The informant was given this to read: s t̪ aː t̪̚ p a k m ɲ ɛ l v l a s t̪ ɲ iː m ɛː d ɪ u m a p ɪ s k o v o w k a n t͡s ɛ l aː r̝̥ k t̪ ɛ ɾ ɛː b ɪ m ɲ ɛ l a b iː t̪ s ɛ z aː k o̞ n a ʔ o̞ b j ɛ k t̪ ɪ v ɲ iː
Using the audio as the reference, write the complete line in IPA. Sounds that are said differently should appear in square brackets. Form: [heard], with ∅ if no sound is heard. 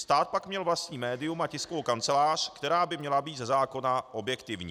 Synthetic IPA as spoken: s t̪ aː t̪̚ p a k m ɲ ɛ l v l a s t̪ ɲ iː m ɛː d ɪ u m a [c] ɪ s k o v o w k a n t͡s ɛ l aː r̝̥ k t̪ ɛ ɾ [aː] b ɪ m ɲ ɛ l a b iː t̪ [z] ɛ z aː k o̞ n a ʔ o̞ b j ɛ k t̪ ɪ v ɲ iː